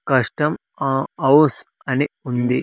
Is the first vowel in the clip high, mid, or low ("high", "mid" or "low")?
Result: low